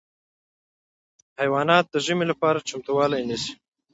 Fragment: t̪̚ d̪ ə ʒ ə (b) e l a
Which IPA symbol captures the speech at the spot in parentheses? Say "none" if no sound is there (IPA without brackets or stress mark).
m